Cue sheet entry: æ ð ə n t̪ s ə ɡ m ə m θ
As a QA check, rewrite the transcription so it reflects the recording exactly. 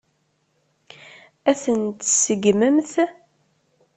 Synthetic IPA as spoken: æ θ ə n t̪ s ə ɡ m ə m θ